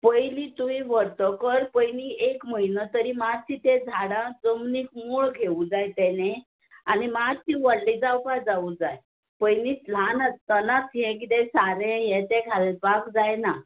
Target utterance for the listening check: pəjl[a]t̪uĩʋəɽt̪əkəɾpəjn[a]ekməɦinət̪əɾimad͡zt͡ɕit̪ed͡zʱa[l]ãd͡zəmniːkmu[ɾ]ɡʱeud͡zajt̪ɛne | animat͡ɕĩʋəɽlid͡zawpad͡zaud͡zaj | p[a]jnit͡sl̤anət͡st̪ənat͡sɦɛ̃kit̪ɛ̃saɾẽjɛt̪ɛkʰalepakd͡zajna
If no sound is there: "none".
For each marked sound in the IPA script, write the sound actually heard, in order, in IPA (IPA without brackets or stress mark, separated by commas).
i, i, ɽ, ɭ, ə